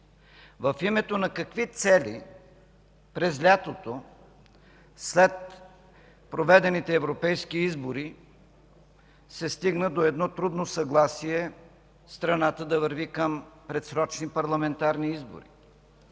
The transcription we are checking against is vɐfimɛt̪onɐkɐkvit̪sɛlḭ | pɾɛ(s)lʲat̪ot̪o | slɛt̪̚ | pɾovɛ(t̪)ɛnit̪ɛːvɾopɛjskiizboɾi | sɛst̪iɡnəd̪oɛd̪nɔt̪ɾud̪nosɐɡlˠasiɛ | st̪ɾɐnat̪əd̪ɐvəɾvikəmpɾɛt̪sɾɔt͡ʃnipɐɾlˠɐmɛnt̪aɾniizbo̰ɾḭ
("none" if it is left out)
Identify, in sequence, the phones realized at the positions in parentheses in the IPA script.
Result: z, d̪

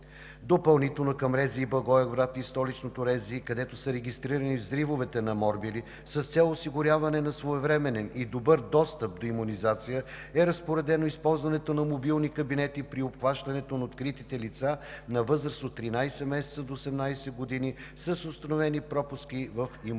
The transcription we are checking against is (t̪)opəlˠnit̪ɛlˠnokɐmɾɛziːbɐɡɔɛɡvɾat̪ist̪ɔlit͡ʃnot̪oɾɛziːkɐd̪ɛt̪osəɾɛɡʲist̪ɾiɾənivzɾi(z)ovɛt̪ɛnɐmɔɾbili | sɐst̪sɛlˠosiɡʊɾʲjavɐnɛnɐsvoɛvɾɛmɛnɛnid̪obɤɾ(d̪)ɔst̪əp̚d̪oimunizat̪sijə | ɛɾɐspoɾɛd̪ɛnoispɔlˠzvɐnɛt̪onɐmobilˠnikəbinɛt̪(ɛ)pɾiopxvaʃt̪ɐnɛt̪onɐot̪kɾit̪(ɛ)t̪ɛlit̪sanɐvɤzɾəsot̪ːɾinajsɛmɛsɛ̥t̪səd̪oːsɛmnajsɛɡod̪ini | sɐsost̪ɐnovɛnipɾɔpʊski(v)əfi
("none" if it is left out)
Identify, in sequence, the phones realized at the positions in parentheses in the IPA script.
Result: d̪, v, d̪, i, i, v

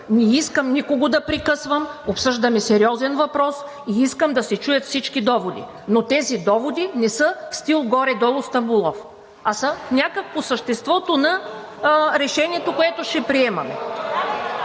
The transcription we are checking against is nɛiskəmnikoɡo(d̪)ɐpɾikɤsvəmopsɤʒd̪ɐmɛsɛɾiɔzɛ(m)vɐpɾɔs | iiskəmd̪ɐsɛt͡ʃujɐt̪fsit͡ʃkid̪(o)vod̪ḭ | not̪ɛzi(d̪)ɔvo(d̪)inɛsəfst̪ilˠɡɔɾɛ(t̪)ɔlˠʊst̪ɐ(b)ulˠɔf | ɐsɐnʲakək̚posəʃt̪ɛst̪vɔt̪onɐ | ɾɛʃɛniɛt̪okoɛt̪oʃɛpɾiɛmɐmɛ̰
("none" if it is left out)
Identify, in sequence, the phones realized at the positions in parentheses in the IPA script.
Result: d̪, n, ɔ, d̪, d̪, d̪, b

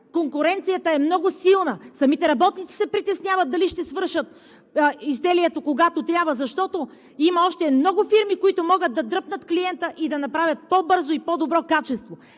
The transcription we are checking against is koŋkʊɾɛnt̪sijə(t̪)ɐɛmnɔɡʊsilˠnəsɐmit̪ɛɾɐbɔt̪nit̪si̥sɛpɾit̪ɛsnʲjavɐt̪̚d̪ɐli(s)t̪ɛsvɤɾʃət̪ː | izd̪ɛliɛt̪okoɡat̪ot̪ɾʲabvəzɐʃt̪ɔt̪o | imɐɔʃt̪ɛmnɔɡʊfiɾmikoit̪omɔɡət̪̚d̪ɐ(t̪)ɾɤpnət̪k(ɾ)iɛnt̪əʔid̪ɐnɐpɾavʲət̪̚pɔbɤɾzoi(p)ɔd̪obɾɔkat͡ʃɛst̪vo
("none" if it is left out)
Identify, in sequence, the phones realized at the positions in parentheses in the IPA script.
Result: t̪, ʃ, d̪, l, p

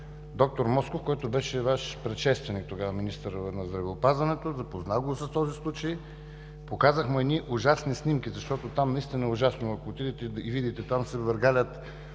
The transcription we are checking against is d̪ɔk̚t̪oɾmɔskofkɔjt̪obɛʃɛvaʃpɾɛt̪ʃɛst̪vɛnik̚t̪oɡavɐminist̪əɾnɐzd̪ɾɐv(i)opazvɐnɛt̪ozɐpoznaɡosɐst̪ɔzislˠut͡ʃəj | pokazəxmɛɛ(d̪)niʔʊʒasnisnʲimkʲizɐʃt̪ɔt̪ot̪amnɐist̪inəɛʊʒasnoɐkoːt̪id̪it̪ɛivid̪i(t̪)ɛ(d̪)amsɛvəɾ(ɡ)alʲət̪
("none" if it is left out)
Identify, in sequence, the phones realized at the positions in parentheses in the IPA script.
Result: ɛ, d̪, t̪, t̪, ɡ

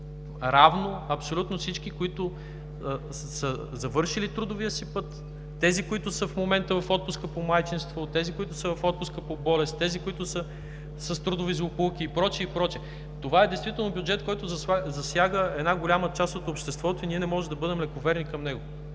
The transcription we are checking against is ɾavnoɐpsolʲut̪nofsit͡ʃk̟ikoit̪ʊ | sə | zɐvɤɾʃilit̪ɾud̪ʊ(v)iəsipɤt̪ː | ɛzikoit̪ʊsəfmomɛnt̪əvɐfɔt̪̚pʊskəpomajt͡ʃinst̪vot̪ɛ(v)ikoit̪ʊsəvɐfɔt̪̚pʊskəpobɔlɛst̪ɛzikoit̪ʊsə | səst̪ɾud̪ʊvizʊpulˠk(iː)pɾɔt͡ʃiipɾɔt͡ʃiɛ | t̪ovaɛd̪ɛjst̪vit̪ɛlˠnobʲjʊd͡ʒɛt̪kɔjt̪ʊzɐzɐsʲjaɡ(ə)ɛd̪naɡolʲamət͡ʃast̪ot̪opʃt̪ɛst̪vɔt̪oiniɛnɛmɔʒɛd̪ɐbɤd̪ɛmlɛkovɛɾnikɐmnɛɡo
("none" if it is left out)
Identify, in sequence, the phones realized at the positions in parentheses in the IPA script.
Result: v, z, iː, ə

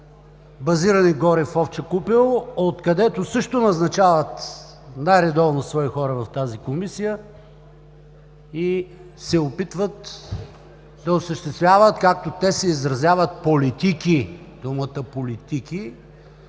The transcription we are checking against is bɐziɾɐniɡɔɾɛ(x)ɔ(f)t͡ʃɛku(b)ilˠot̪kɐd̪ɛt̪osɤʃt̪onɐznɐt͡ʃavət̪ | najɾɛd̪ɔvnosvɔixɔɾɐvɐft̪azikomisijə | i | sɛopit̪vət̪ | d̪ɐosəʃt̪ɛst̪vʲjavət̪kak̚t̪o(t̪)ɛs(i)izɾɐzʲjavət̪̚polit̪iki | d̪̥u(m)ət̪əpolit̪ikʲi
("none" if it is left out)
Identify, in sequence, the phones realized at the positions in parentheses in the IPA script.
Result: f, f, p, t̪, ɛ, m

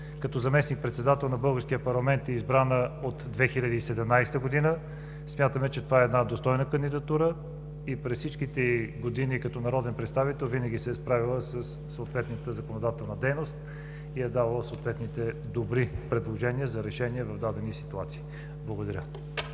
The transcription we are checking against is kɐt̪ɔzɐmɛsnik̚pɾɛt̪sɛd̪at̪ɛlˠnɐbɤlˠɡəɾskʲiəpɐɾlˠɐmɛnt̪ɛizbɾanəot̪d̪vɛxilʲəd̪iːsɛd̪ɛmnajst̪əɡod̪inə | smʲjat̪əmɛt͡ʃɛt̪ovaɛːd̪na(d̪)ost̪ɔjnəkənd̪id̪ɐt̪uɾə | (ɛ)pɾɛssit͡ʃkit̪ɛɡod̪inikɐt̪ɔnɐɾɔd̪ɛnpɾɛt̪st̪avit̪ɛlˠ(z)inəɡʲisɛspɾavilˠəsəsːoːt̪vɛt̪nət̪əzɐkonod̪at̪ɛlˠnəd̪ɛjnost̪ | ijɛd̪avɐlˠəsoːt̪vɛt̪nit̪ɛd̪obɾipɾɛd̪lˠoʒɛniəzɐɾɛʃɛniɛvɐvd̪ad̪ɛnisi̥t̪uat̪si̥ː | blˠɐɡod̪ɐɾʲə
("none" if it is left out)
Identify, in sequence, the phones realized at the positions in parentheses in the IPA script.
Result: d̪, i, v

